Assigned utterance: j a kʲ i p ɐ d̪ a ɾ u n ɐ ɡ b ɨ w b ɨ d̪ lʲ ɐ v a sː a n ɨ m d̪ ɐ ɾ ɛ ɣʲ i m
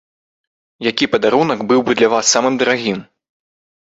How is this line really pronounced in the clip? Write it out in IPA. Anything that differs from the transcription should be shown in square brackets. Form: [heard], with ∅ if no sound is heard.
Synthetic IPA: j a kʲ i p ɐ d̪ a ɾ u n ɐ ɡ b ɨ w b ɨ d̪ lʲ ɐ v a sː a [m] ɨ m d̪ ɐ ɾ [a] ɣʲ i m